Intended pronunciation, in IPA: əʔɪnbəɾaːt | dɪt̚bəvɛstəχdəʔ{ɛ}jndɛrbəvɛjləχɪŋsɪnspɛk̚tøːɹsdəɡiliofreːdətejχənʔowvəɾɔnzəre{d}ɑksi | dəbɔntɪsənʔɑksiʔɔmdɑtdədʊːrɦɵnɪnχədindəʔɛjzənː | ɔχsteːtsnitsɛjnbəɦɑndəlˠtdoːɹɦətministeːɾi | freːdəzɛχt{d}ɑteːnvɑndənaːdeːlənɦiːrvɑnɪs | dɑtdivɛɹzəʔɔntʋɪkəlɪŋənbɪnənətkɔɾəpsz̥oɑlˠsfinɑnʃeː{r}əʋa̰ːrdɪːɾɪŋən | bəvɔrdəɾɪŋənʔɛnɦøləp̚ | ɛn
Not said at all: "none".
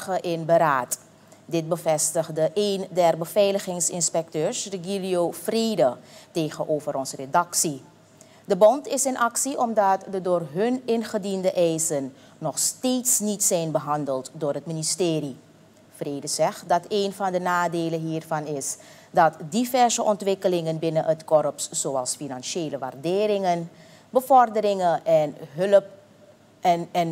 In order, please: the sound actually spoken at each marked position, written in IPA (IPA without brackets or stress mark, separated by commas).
e, d, d, l